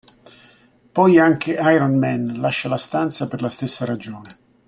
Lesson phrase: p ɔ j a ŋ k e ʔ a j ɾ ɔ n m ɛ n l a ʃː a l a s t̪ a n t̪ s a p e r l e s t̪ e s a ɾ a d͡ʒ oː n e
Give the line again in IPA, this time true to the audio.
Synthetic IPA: p ɔ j a ŋ k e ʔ a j ɾ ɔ n m ɛ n l a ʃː a l a s t̪ a n t̪ s a p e r l a s t̪ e sː a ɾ a d͡ʒ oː n e